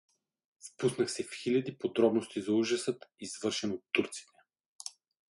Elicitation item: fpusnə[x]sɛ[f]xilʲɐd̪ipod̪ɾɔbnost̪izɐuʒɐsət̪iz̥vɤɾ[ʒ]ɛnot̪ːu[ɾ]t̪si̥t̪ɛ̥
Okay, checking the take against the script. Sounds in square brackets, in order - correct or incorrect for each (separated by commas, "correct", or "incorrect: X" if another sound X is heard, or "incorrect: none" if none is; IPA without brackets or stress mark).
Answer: correct, correct, incorrect: ʃ, correct